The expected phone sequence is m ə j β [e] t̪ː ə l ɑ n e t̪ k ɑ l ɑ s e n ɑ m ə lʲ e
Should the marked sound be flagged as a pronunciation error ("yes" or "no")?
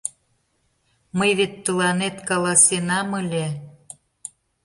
no